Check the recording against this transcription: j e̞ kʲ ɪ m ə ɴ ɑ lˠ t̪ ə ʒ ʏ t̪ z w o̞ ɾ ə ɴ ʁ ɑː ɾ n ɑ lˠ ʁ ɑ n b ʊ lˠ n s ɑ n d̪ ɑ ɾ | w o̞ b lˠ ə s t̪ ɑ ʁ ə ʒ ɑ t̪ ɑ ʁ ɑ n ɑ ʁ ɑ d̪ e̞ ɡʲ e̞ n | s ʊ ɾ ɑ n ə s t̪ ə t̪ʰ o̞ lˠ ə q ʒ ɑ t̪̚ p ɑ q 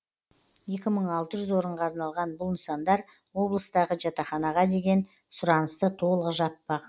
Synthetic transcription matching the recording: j e̞ kʲ ɪ m ə ɴ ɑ lˠ t̪ ə ʒ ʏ z w o̞ ɾ ə ɴ ʁ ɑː ɾ n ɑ lˠ ʁ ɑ n b ʊ lˠ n s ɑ n d̪ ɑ ɾ | w o̞ b lˠ ə s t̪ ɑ ʁ ə ʒ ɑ t̪ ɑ χ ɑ n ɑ ʁ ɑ d̪ e̞ ɡʲ e̞ n | s ʊ ɾ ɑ n ə s t̪ ə t̪ʰ o̞ lˠ ə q ʒ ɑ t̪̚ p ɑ q